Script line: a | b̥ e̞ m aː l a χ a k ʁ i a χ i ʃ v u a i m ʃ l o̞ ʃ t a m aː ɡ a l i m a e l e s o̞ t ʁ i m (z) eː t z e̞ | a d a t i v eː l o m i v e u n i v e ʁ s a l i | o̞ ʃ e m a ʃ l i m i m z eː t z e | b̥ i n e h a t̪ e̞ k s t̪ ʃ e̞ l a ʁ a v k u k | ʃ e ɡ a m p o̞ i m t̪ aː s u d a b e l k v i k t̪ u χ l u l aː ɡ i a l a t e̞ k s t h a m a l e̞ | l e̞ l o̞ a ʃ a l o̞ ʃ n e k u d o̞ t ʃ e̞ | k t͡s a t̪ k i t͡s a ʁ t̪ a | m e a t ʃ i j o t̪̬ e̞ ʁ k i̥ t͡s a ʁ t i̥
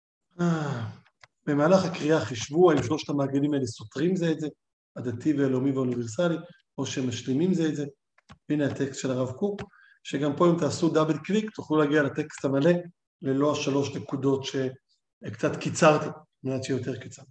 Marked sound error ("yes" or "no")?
no